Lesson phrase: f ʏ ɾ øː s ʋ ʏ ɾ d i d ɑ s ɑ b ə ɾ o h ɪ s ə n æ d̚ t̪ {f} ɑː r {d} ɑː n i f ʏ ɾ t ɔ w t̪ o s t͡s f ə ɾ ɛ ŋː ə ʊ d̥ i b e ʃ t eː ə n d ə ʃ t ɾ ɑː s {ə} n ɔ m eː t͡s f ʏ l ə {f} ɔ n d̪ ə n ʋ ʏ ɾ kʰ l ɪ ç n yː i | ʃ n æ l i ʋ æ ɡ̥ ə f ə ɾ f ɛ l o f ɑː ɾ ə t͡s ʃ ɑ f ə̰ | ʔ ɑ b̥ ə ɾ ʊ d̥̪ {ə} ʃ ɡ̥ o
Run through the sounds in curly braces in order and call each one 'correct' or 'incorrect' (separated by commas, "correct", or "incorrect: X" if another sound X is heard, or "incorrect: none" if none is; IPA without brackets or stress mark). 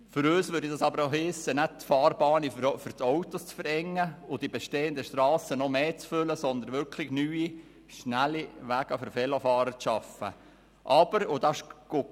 correct, incorrect: b, correct, incorrect: s, incorrect: ɑ